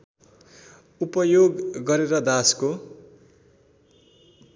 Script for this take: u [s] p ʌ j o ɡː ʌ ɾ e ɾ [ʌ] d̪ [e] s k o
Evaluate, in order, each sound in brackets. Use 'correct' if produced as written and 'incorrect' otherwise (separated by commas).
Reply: incorrect, correct, incorrect